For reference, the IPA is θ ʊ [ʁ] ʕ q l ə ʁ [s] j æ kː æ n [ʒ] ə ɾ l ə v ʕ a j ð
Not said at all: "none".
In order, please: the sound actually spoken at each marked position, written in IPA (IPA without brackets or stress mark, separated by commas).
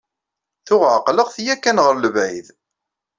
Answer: ʁ, θ, ʁ